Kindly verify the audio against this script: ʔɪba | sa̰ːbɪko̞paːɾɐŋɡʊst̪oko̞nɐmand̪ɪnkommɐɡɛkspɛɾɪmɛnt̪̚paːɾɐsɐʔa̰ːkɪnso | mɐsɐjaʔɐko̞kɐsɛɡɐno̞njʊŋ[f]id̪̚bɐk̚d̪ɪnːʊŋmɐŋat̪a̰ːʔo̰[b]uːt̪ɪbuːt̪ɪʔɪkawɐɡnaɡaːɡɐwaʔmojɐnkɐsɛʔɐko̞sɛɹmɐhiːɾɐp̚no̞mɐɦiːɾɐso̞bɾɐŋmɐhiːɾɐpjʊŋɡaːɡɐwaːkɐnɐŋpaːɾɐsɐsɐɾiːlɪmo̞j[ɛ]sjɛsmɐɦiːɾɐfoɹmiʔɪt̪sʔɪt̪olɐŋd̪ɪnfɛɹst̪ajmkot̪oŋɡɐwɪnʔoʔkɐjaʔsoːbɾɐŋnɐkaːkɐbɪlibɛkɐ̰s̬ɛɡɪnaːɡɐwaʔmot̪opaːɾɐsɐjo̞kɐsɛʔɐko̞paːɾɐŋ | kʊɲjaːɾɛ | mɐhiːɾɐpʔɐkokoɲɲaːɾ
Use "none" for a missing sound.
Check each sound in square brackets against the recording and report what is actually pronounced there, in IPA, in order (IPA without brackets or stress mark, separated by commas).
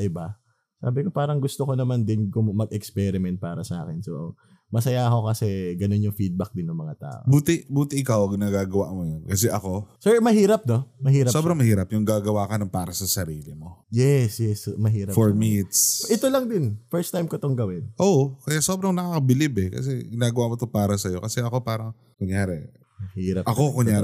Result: f, b, ɛ